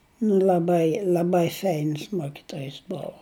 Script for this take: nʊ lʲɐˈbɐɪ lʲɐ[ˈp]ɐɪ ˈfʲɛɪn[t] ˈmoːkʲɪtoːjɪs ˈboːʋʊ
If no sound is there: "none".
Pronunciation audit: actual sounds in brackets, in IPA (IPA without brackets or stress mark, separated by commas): b, s